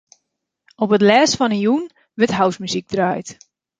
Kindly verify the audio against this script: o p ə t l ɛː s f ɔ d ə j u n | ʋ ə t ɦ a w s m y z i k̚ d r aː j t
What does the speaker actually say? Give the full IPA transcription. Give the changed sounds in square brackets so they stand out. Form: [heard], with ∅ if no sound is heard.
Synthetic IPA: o p ə t l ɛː s f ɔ [n] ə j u n | ʋ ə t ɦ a w s m y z i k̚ d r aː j t